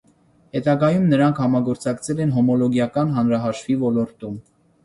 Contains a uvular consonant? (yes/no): no